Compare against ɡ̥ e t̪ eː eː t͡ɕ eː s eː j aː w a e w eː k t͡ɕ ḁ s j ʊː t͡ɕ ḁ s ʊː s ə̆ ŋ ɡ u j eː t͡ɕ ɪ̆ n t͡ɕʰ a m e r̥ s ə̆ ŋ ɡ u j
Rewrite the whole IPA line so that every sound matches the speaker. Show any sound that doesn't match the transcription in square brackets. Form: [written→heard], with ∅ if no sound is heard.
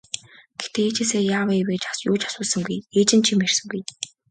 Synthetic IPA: ɡ̥ e t̪ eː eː t͡ɕ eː s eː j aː w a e w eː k t͡ɕ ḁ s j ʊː t͡ɕ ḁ s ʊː s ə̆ ŋ ɡ u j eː t͡ɕ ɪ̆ n t͡ɕʰ [a→i] m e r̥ s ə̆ ŋ ɡ u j

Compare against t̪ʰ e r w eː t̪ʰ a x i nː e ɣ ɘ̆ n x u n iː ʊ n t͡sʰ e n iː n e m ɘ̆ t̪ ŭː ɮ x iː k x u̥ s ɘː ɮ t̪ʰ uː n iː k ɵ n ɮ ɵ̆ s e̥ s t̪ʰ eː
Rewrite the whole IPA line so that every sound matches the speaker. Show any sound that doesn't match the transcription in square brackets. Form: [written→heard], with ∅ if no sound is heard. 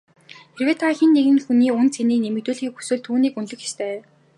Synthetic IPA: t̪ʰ e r w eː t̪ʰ a x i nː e ɣ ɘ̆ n x u n iː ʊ n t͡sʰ e n iː n e m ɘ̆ t̪ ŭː ɮ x iː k x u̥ s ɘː ɮ t̪ʰ uː n iː k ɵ n ɮ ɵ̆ [s→x] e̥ s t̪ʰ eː

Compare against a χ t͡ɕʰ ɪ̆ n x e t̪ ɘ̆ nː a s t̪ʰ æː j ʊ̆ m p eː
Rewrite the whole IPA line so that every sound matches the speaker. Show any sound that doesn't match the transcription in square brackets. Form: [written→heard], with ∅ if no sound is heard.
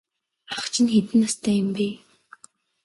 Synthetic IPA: a χ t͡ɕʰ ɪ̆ n x e t̪ ɘ̆ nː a s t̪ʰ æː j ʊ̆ m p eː

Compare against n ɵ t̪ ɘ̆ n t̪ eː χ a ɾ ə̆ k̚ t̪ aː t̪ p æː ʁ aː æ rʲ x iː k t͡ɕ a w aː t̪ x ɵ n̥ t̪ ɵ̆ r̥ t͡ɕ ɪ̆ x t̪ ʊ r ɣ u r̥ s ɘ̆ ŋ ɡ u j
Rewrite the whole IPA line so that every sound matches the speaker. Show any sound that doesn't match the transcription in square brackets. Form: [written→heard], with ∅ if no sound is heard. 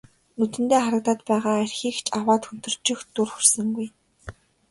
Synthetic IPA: n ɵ t̪ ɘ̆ n t̪ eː χ a ɾ ə̆ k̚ t̪ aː t̪ p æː ʁ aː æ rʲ x iː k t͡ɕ a w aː t̪ x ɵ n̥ t̪ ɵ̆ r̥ t͡ɕ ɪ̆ x t̪ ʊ r [ɣ→x] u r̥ s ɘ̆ ŋ ɡ u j

